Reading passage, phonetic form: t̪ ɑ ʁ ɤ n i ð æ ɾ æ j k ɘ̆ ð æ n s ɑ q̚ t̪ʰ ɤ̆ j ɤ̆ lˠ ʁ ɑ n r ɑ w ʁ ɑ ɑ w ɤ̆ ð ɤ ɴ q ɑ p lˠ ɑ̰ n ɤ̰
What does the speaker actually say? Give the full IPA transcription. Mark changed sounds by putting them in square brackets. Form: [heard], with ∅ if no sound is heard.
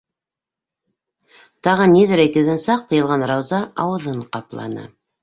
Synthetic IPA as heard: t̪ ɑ ʁ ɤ n i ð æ ɾ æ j k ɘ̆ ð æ n s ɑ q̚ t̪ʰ ɤ̆ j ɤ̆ lˠ ʁ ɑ n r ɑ w [z] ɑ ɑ w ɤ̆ ð ɤ ɴ q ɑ p lˠ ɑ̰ n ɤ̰